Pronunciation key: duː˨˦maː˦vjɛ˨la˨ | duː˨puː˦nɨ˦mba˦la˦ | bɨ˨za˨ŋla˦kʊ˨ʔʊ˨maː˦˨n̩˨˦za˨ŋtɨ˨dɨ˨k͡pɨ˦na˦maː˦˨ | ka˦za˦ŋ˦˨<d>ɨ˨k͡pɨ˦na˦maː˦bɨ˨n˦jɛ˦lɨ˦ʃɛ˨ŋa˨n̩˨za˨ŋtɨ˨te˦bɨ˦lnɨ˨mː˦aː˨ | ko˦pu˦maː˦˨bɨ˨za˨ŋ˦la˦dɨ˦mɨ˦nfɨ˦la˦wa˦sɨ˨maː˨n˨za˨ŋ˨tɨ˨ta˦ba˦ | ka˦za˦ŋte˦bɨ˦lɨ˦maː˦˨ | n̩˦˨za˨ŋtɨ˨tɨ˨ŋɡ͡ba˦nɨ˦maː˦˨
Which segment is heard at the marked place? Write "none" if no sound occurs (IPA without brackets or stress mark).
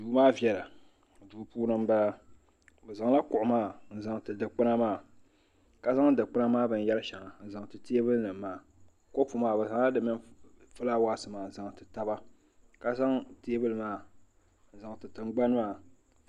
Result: d